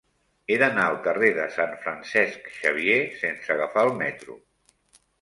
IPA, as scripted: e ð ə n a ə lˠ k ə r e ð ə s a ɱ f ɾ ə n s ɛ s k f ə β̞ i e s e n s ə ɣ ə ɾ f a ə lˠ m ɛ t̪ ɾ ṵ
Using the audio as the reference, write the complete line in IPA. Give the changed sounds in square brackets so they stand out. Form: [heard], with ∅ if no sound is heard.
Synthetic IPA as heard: e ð ə n a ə lˠ k ə r e ð ə s a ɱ f ɾ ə n s ɛ s k [ʃ] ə β̞ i e s e n s ə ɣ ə [∅] f a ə lˠ m ɛ t̪ ɾ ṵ